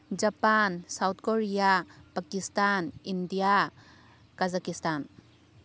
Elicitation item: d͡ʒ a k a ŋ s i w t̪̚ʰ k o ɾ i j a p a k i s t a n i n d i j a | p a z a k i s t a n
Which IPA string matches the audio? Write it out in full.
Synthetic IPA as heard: d͡ʒ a p a n s a w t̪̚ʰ k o ɾ i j a p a k i s t a n i n d i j a | k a z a k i s t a n